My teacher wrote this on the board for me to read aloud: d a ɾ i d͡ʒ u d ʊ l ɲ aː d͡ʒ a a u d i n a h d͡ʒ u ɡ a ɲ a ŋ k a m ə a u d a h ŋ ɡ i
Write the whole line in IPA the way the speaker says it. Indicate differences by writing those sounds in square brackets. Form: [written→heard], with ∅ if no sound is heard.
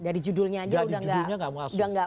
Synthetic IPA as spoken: d a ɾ i d͡ʒ u d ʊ l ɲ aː d͡ʒ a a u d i [n→d] a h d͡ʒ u ɡ a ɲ a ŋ [k→ɡ] a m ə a u d a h ŋ ɡ [i→a]